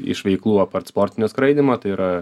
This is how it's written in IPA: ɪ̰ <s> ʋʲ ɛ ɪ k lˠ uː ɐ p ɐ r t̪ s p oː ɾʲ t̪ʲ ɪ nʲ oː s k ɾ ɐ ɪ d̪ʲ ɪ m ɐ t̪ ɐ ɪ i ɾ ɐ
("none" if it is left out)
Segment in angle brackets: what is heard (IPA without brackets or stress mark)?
ʃ